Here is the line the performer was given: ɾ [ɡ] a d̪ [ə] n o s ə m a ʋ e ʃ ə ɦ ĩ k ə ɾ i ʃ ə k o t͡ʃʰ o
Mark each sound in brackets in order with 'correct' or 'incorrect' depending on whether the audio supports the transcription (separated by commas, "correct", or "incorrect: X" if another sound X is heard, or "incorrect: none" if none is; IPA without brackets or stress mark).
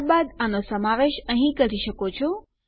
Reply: incorrect: b, incorrect: a